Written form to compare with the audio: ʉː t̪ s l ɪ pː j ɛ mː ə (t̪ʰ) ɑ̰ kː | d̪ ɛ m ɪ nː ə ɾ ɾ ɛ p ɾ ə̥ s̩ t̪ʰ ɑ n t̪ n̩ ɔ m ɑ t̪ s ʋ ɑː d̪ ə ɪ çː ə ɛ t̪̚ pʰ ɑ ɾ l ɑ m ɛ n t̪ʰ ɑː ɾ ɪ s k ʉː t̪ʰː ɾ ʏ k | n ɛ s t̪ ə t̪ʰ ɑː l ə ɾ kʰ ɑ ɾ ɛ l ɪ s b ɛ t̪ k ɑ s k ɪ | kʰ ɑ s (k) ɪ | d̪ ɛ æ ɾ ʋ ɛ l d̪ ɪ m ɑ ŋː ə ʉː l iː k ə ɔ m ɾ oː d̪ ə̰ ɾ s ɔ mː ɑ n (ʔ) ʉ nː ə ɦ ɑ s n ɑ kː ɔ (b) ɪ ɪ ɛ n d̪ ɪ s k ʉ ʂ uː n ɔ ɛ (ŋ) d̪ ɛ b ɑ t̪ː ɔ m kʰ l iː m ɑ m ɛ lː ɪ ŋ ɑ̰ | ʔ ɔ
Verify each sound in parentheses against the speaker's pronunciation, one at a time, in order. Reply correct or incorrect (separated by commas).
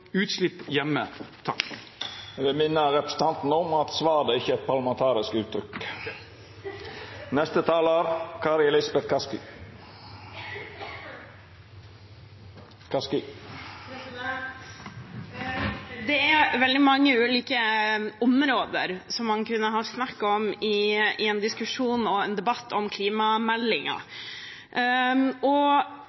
correct, correct, incorrect, incorrect, incorrect